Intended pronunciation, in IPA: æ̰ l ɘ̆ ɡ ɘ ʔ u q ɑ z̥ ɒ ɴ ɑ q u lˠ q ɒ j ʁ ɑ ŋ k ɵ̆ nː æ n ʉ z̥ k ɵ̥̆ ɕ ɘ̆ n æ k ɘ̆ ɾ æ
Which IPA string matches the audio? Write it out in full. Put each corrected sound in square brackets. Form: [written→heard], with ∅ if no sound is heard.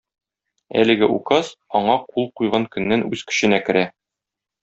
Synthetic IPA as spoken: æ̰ l ɘ̆ ɡ ɘ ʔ u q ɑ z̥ ɒ ɴ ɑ q u lˠ q [ɒ→u] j ʁ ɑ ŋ k ɵ̆ nː æ n ʉ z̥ k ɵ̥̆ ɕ ɘ̆ n æ k ɘ̆ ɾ æ